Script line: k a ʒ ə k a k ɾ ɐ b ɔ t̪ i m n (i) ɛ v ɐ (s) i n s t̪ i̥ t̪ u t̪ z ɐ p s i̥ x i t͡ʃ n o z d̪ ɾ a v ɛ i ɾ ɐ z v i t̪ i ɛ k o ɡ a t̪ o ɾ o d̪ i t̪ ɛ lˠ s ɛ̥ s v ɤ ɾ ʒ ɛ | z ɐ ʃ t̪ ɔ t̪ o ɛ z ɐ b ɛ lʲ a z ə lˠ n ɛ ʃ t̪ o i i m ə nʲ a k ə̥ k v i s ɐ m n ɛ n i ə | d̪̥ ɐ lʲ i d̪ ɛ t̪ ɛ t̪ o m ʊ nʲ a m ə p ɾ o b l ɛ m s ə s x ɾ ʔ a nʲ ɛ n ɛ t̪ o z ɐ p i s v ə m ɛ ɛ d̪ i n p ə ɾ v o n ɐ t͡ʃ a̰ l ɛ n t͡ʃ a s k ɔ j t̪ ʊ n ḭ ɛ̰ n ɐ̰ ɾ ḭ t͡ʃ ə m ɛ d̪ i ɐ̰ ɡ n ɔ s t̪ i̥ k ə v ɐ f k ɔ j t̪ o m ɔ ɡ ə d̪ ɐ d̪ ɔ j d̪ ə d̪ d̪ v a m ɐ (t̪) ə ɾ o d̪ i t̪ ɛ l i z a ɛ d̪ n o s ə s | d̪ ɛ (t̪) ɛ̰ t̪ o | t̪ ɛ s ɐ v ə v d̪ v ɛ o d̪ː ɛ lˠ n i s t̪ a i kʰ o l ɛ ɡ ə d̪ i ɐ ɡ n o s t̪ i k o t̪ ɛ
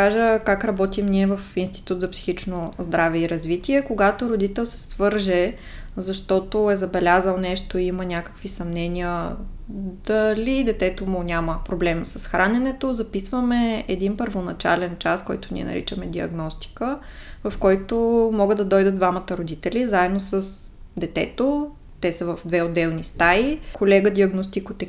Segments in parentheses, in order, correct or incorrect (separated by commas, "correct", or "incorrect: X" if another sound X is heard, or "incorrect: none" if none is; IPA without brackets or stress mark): correct, incorrect: f, correct, correct